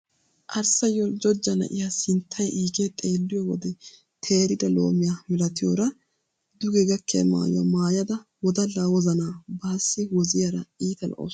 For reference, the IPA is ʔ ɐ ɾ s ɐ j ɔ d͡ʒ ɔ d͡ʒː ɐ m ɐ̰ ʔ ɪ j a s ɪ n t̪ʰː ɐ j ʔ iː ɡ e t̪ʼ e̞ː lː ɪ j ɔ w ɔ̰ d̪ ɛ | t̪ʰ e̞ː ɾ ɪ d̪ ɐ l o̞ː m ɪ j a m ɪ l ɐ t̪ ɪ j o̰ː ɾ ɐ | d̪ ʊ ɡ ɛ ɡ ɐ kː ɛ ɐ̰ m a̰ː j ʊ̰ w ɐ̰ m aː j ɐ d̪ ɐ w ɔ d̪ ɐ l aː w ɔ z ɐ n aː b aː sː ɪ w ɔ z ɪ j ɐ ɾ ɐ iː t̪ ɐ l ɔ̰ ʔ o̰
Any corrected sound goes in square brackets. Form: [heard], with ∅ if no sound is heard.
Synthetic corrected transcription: ʔ ɐ ɾ s ɐ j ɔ d͡ʒ ɔ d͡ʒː ɐ [n] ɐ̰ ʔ ɪ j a s ɪ n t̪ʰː ɐ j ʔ iː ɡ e t̪ʼ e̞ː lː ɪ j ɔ w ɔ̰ d̪ ɛ | t̪ʰ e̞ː ɾ ɪ d̪ ɐ l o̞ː m ɪ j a m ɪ l ɐ t̪ ɪ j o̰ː ɾ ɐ | d̪ ʊ ɡ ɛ ɡ ɐ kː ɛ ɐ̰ m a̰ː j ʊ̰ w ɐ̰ m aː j ɐ d̪ ɐ w ɔ d̪ ɐ l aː w ɔ z ɐ n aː b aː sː ɪ w ɔ z ɪ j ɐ ɾ ɐ iː t̪ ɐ l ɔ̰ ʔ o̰